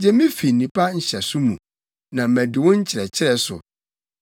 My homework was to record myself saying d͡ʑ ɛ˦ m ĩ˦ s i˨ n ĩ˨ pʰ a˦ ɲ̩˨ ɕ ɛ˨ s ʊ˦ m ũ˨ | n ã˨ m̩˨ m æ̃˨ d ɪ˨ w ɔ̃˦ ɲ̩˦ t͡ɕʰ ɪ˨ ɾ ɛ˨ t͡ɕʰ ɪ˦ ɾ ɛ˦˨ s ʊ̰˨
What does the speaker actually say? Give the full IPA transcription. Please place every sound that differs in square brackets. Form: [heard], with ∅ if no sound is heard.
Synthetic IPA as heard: d͡ʑ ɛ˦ m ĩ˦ [f] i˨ n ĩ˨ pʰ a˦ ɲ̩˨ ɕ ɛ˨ s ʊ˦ m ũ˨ | n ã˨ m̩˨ m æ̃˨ d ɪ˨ w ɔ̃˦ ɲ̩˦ t͡ɕʰ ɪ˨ ɾ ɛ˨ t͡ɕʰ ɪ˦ ɾ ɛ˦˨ s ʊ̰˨